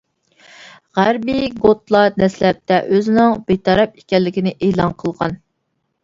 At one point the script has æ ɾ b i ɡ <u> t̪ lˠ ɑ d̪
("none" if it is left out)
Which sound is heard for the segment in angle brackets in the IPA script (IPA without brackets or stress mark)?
o